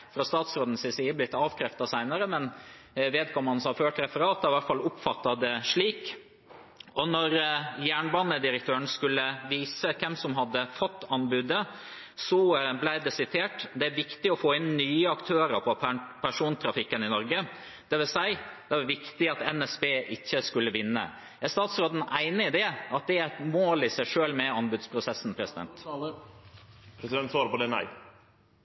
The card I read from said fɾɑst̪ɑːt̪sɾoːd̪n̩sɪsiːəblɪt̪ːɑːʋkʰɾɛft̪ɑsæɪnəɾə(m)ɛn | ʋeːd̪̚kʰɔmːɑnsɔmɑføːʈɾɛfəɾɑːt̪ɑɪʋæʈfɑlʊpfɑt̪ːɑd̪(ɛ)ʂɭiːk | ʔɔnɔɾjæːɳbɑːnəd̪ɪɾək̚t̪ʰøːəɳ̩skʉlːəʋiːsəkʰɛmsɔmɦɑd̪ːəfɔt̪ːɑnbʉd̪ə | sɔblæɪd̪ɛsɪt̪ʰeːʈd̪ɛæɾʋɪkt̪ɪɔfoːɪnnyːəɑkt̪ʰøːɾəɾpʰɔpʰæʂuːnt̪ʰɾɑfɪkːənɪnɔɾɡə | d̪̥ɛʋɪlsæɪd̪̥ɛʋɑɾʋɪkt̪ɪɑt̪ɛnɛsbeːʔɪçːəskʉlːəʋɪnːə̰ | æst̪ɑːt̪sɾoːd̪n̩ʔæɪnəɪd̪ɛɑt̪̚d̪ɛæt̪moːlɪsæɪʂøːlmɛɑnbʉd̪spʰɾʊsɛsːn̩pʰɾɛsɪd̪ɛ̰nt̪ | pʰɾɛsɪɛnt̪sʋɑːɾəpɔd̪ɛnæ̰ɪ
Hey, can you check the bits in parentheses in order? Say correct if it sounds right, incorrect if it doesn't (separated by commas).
correct, correct